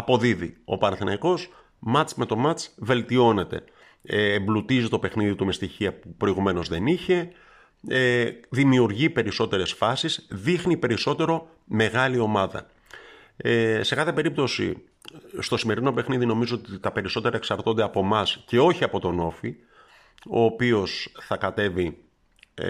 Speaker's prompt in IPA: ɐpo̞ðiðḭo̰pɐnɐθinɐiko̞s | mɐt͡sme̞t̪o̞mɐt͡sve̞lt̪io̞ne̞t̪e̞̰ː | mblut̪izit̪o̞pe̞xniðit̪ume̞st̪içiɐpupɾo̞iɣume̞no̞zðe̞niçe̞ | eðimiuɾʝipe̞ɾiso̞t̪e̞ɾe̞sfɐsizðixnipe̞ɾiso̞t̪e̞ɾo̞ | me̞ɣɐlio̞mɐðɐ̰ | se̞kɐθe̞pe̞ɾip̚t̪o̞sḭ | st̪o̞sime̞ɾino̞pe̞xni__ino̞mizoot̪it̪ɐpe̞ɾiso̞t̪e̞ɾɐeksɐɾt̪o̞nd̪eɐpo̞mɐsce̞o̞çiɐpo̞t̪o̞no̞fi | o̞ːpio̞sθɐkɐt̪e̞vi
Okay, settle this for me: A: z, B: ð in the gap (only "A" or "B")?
B